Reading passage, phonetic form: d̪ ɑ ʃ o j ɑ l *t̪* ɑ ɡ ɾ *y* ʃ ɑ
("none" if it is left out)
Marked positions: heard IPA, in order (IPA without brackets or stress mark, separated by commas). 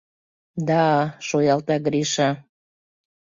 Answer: t̪, i